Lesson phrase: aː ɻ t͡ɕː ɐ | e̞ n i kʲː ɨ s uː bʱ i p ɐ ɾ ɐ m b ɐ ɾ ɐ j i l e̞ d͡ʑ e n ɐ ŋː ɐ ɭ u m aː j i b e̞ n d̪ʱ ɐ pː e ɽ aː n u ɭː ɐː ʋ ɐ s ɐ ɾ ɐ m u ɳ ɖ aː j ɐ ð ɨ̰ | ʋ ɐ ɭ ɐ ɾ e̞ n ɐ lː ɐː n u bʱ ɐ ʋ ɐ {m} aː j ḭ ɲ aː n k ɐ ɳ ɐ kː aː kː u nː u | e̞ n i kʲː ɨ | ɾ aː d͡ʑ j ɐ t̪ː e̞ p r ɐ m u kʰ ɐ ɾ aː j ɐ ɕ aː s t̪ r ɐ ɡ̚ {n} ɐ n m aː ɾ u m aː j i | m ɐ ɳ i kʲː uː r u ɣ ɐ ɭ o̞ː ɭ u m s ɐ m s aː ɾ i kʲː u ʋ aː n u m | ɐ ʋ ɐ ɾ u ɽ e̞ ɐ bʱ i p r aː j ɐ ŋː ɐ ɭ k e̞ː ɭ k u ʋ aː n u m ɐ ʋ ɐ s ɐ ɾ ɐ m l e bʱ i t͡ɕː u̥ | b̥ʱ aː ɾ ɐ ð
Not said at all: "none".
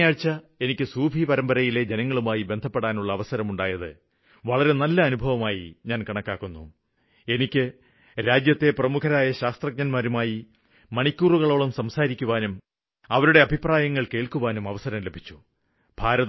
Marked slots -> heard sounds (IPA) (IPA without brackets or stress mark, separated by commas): m, ɲ